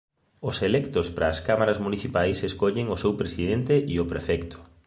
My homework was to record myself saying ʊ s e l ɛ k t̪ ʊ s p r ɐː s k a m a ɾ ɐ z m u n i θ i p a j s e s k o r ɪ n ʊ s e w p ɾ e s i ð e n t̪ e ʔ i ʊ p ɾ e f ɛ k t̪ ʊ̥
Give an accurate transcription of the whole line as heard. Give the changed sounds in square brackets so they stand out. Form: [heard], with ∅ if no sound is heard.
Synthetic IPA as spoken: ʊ s e l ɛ k t̪ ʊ s p [ɾ] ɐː s k a m a ɾ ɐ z m u n i θ i p a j s e s k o [ʎ] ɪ [ŋ] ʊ s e w p ɾ e s i ð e n t̪ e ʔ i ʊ p ɾ e f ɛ k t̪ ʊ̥